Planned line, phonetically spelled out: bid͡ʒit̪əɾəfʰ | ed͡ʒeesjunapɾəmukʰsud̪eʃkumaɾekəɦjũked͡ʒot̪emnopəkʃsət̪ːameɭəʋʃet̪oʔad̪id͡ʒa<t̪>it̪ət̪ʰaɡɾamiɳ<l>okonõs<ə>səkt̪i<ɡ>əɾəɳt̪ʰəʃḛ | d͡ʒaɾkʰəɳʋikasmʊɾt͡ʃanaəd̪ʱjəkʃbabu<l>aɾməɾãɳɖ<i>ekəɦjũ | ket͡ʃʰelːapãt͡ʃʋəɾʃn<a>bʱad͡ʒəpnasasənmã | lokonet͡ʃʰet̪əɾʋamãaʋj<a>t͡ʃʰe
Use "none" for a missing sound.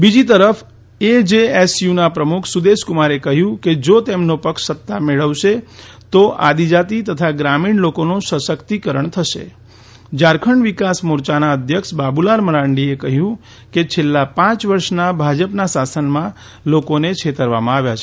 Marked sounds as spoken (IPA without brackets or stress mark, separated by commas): t̪, l, ə, k, l, i, a, a